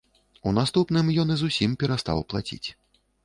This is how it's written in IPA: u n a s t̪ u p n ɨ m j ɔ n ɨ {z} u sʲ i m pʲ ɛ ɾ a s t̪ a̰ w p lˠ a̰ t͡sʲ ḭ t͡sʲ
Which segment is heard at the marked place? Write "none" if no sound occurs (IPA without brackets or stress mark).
z